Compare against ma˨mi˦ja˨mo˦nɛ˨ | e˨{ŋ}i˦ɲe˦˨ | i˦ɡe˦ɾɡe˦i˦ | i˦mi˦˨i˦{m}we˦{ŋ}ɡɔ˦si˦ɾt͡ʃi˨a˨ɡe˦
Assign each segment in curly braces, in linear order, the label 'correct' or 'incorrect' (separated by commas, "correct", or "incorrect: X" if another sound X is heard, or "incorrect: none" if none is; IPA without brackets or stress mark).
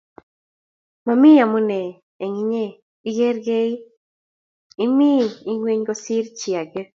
correct, incorrect: ŋ, incorrect: ɲ